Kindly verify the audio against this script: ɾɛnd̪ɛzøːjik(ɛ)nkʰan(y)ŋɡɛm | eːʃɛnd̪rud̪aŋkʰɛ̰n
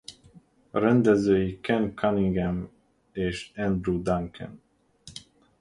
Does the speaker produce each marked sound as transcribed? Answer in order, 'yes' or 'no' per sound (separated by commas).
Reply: yes, no